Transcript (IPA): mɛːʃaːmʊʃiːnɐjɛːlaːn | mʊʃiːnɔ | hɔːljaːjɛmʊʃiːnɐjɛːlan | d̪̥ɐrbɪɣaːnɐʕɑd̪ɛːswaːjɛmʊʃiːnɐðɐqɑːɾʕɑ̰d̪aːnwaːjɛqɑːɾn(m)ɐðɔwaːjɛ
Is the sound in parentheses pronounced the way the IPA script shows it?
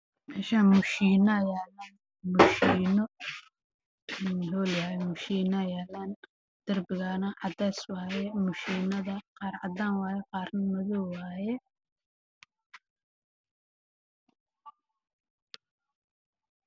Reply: yes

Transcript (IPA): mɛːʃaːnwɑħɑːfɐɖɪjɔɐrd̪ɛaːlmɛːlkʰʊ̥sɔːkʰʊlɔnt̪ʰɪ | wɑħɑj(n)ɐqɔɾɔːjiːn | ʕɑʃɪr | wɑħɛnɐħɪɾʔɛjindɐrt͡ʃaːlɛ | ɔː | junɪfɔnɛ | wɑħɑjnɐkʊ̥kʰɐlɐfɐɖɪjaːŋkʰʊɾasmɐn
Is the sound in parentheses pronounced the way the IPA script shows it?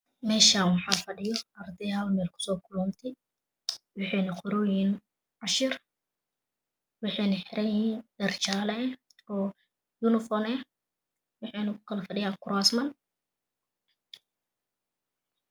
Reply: yes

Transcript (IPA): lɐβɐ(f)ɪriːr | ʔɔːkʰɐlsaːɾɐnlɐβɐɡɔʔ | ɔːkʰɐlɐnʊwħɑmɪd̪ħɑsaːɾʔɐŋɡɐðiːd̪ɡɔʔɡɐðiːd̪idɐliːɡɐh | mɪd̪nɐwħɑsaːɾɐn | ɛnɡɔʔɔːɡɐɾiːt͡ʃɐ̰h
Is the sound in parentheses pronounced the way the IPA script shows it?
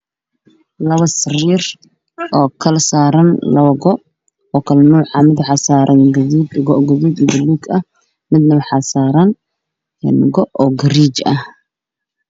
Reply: no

